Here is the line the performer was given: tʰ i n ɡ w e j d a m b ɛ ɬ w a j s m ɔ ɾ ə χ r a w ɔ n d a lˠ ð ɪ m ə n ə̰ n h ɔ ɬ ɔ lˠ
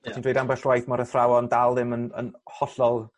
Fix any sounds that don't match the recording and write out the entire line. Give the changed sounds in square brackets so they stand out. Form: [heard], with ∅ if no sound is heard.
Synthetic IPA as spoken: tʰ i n [d] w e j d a m b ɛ ɬ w a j [θ] m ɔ ɾ ə [θ] r a w ɔ n d a lˠ ð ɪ m ə n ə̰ n h ɔ ɬ ɔ lˠ